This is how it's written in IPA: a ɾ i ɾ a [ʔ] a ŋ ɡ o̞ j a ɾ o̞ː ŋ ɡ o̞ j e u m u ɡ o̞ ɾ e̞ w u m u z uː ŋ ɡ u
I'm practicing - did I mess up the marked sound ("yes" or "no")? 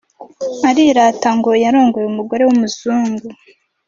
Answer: yes